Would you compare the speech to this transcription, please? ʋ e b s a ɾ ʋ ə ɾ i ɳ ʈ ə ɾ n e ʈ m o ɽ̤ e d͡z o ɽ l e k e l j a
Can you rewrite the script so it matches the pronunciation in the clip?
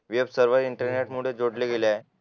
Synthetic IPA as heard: ʋ e b s ə ɾ ʋ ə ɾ i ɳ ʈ ə ɾ n e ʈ m u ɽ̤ e d͡z o ɽ l e ɡ e l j a